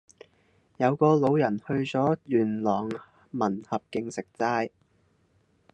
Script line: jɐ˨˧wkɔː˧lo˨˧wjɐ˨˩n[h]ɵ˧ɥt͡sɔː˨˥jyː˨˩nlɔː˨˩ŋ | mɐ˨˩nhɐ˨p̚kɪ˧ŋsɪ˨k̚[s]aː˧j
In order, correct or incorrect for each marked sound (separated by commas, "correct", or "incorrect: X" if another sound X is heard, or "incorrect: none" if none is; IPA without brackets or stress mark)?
correct, incorrect: t͡s